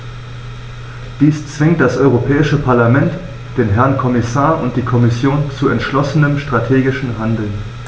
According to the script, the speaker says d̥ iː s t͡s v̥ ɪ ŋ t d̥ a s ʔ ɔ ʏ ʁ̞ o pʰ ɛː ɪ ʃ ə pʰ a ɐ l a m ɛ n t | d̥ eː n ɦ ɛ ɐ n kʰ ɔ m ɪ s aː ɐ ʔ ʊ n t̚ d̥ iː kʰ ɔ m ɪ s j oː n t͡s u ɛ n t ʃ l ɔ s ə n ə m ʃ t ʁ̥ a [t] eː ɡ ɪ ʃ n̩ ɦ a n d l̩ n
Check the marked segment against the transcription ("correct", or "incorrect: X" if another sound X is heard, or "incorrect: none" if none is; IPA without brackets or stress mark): incorrect: tʰ